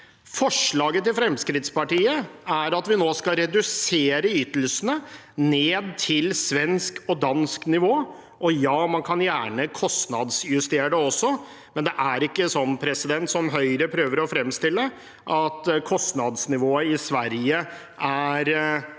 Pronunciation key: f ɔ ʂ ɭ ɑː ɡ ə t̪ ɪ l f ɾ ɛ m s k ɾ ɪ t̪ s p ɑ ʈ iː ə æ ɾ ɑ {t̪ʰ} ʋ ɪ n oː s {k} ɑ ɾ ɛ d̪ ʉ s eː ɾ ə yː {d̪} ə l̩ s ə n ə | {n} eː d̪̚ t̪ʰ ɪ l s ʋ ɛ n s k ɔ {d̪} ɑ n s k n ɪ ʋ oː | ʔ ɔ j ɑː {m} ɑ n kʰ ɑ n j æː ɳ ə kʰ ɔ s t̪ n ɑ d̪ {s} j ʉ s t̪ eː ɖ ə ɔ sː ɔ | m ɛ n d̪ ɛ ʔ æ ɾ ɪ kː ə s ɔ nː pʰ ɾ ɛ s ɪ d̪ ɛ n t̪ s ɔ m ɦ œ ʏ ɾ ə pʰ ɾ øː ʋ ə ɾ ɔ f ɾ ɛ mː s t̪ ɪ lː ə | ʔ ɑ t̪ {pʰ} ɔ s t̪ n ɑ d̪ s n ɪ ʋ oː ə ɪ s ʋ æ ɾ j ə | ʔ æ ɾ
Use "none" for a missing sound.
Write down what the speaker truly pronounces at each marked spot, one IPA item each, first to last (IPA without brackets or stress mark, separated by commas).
t̪, k, t̪, n, d̪, m, s, kʰ